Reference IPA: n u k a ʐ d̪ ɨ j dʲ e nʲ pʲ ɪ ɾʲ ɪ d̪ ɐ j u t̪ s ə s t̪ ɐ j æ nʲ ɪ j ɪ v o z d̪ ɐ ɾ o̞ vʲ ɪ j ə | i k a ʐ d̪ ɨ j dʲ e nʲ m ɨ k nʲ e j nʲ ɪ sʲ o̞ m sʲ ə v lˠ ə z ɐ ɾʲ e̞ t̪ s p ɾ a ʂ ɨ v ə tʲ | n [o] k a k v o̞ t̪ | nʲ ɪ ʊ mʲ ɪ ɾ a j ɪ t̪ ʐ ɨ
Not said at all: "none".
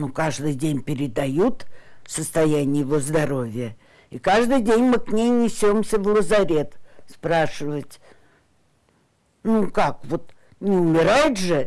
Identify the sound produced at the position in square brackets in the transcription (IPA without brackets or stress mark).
u